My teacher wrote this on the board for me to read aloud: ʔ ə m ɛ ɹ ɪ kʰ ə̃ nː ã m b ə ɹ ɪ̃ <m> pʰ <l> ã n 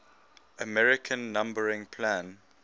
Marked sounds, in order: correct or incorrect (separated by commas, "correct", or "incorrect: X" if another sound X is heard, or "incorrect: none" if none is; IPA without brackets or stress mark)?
incorrect: ŋ, correct